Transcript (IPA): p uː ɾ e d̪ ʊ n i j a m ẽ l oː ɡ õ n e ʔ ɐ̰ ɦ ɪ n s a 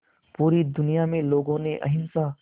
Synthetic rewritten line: p uː ɾ i d̪ ʊ n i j a m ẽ l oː ɡ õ n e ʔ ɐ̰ ɦ ɪ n s a